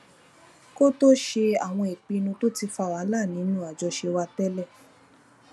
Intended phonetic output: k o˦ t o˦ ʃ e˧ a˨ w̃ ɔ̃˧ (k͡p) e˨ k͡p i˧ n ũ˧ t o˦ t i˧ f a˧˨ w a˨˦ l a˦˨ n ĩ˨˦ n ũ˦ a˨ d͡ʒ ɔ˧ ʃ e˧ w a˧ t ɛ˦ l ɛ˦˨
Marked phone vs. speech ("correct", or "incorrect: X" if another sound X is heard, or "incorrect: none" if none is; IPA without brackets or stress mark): incorrect: none